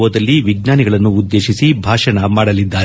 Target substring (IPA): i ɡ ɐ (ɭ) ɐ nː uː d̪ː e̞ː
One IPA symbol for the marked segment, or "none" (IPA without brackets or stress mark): ɭ